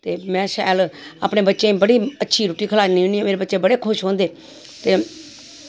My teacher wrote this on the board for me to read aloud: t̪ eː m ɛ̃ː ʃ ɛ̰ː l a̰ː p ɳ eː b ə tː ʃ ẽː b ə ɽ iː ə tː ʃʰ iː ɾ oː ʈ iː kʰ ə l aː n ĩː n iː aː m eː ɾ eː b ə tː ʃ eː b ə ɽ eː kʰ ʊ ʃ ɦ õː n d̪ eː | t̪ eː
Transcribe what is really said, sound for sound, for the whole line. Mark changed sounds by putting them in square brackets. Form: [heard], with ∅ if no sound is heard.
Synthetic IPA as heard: t̪ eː m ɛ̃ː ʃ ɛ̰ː l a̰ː p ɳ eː b ə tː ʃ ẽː b ə ɽ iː ə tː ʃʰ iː ɾ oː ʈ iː kʰ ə l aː n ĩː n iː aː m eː ɾ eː b ə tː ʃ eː b ə ɽ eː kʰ ʊ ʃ ɦ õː n d̪ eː | t̪ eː